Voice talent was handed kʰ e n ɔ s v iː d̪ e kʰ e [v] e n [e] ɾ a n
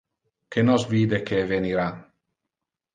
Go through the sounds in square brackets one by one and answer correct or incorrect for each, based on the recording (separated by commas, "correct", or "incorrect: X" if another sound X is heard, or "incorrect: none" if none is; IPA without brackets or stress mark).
correct, incorrect: i